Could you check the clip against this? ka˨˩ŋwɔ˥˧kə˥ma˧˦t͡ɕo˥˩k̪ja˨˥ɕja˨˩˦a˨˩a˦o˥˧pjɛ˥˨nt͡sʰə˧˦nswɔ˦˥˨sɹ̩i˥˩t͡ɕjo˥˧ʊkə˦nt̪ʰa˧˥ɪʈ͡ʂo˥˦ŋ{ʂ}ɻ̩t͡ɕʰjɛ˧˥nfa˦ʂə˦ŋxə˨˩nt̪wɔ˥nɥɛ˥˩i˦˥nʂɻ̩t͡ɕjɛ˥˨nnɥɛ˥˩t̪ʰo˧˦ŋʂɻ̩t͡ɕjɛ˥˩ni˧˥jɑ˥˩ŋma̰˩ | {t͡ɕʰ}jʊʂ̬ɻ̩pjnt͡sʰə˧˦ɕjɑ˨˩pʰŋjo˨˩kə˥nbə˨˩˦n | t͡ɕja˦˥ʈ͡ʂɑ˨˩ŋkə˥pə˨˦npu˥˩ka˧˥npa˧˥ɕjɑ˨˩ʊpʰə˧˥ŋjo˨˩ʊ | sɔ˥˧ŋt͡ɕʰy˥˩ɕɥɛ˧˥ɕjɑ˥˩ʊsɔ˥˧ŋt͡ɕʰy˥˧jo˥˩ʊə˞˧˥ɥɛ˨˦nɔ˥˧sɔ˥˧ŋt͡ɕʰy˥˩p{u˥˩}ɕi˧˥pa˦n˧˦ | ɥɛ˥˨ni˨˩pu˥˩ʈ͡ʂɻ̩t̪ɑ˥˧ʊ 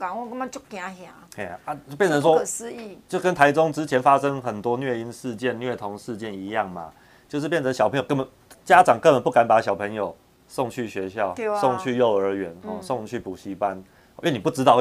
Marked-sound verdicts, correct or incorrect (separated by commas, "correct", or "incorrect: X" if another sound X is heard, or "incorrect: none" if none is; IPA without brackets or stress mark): incorrect: ʈ͡ʂ, incorrect: t͡ɕ, incorrect: u˨˩